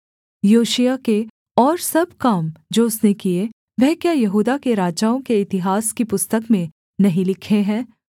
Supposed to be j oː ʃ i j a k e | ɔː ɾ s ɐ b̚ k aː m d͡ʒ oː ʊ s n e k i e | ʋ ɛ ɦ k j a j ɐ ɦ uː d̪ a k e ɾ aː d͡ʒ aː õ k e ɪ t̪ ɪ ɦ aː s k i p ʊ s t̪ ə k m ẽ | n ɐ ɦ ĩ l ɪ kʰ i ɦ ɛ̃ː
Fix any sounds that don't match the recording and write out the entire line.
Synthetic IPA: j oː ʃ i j a k e | ɔː ɾ s ɐ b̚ k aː m d͡ʒ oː ʊ s n e k i e | ʋ ɛ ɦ k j a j ɐ ɦ uː d̪ a k e ɾ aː d͡ʒ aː õ k e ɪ t̪ ɪ ɦ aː s k i p ʊ s t̪ ə k m ẽ | n ɐ ɦ ĩ l ɪ kʰ e ɦ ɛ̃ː